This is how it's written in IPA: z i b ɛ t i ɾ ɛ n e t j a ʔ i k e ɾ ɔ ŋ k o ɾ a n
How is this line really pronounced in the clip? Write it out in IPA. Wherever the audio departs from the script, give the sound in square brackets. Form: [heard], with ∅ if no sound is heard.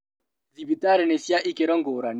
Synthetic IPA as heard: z i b [i] t [a] ɾ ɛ n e [s] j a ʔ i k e ɾ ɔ ŋ [ɡ] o ɾ a n